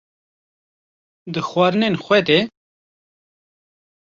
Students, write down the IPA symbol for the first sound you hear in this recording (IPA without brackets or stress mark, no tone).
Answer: d̪